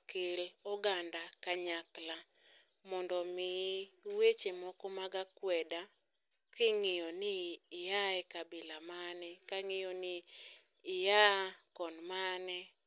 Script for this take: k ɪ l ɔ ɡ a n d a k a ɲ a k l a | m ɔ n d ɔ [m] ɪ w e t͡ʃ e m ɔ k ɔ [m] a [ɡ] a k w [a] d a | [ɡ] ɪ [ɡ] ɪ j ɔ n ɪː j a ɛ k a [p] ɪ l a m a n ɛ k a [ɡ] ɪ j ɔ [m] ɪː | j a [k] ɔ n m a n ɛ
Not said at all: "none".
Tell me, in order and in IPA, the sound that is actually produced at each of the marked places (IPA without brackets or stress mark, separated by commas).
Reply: m, m, ɡ, ɛ, k, ŋ, b, ŋ, n, k